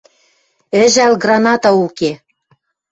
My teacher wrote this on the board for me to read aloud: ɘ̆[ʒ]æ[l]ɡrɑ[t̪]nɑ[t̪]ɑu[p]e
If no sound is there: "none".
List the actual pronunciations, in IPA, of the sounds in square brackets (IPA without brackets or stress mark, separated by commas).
ʒ, l, none, t̪, k